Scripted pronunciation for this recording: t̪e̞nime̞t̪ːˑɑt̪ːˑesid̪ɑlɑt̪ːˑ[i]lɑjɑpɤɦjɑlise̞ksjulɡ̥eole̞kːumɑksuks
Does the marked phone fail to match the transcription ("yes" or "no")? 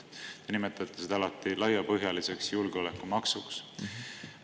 no